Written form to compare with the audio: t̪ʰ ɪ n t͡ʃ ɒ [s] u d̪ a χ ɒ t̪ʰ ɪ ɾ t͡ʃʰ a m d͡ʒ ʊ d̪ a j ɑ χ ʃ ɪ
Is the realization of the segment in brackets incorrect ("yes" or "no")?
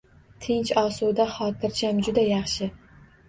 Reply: no